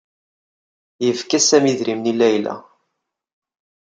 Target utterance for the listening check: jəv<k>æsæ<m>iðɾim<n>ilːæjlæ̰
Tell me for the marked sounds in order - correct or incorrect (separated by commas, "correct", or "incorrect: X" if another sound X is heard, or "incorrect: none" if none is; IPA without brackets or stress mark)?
correct, correct, correct